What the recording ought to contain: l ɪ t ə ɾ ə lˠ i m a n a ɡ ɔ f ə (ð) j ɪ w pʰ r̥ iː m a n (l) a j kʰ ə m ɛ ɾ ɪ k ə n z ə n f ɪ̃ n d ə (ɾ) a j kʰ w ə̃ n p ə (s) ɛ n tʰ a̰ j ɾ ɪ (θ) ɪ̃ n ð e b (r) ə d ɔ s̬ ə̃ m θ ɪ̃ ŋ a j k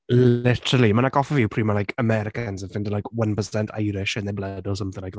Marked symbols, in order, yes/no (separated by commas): no, yes, no, yes, no, no